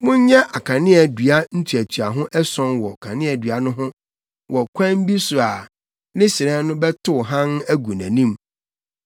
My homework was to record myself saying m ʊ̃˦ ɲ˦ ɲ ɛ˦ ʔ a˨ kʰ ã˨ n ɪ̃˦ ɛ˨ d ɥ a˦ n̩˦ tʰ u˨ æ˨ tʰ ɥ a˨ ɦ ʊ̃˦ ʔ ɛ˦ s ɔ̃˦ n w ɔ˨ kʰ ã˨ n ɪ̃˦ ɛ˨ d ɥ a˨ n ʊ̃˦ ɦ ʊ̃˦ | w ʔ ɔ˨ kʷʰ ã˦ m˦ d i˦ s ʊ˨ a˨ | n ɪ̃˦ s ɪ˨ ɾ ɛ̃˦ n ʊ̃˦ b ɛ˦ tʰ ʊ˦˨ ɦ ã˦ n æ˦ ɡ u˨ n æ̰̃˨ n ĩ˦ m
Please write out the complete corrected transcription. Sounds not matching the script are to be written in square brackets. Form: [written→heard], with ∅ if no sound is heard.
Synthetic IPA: m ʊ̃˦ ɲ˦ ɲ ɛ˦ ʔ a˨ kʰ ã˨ n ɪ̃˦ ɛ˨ d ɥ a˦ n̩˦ tʰ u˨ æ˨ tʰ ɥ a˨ ɦ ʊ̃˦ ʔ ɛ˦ s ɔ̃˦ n w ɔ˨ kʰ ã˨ n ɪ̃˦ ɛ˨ d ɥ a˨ n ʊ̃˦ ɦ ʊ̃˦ | w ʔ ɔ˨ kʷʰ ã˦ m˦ [d→b] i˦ s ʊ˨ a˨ | n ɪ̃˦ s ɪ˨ ɾ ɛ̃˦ n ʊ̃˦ b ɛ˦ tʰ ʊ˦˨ ɦ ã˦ n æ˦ ɡ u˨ n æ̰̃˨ n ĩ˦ m